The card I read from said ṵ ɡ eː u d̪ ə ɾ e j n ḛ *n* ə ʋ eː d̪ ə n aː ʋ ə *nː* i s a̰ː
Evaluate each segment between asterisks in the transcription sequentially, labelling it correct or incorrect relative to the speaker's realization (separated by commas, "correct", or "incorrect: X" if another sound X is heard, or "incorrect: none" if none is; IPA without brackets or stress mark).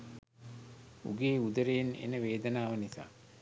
correct, incorrect: n